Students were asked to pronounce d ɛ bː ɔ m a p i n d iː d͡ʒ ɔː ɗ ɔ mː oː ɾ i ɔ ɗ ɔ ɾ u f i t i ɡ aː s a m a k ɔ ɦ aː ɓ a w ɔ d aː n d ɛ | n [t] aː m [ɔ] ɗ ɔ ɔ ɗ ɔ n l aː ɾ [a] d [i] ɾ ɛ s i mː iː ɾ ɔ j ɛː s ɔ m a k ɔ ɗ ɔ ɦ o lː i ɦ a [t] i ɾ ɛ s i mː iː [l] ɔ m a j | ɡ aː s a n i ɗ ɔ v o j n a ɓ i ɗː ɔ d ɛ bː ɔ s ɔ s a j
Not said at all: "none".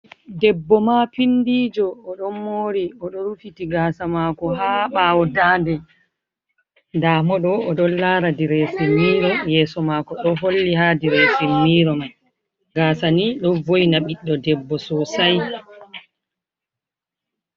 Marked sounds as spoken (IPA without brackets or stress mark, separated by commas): d, ɔ, a, i, d, ɾ